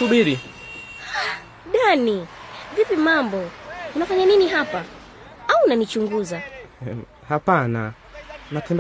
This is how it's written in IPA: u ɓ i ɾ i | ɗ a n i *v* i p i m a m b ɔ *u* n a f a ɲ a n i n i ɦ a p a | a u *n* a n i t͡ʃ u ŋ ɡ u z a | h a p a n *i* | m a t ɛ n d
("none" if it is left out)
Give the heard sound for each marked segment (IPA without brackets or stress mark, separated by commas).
v, u, n, a